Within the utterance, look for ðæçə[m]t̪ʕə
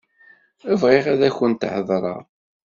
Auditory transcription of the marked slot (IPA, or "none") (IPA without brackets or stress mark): n